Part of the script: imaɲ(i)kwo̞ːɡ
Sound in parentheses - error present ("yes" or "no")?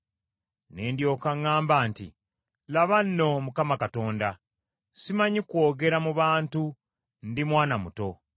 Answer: no